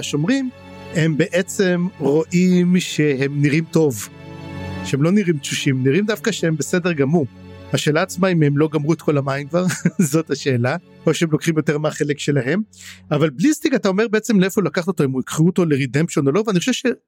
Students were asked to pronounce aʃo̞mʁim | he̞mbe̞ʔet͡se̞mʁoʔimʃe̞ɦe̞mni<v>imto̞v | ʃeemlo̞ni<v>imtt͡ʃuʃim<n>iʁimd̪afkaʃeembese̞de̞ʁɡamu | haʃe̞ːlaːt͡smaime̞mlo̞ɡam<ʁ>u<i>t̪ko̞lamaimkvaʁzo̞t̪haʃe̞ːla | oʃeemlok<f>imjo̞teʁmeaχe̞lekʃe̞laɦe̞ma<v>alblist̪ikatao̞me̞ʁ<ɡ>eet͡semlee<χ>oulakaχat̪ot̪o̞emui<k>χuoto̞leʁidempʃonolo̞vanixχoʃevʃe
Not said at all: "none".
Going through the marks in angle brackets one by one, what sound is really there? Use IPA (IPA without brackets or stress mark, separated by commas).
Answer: ʁ, ʁ, n, ʁ, e, χ, v, b, f, k